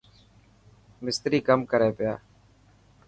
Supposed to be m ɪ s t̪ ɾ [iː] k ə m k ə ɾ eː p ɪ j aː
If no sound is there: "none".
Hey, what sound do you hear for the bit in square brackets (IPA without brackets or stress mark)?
iː